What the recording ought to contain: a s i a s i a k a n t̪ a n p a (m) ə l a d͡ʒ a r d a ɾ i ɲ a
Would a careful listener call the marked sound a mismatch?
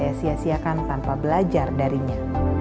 yes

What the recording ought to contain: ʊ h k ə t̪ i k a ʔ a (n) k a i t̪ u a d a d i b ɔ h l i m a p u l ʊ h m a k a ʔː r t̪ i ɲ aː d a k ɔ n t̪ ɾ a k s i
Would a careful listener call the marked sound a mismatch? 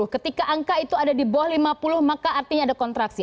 yes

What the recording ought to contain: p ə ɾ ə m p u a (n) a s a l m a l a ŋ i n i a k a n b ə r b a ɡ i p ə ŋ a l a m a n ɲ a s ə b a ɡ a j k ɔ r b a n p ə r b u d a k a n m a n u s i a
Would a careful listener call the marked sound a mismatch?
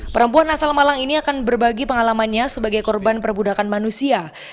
no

